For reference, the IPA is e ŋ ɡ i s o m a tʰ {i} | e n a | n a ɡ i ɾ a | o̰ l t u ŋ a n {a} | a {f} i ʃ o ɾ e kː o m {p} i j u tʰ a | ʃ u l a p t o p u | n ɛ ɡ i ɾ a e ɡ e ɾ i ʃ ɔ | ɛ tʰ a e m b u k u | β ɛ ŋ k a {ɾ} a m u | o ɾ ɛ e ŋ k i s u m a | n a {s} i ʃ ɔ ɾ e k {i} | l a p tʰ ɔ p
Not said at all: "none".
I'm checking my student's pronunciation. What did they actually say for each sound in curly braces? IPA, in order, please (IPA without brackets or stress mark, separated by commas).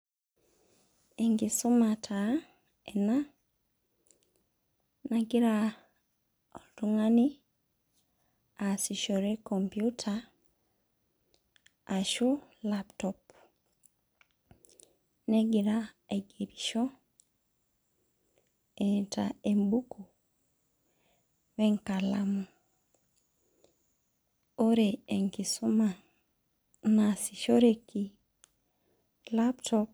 a, i, s, p, l, s, i